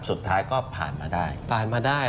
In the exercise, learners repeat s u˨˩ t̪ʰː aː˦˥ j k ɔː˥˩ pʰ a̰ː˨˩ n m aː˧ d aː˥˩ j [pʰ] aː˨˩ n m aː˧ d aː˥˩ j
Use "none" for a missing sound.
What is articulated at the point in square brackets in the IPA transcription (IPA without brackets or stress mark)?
pʰ